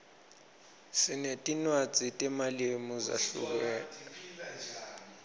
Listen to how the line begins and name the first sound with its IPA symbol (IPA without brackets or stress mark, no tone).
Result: s